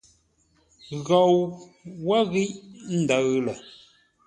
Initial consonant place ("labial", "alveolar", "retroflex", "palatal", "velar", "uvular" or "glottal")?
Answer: velar